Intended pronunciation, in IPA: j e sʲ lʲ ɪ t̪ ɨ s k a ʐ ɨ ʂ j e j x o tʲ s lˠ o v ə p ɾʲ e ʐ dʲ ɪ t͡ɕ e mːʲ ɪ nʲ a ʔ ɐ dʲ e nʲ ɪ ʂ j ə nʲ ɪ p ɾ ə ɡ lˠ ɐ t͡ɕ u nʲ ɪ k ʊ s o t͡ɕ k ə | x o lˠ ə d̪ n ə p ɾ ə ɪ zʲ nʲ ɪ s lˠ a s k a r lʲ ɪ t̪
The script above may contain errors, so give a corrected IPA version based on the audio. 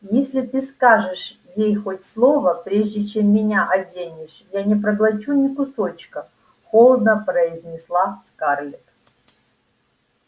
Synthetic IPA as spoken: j e sʲ lʲ ɪ t̪ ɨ s k a ʐ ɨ ʂ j e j x o tʲ s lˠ o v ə p ɾʲ e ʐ dʲ ɪ t͡ɕ e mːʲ ɪ nʲ a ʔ ɐ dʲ e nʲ ɪ ʂ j a nʲ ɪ p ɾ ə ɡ lˠ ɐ t͡ɕ u nʲ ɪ k ʊ s o t͡ɕ k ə | x o lˠ ə d̪ n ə p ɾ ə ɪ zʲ nʲ ɪ s lˠ a s k a r lʲ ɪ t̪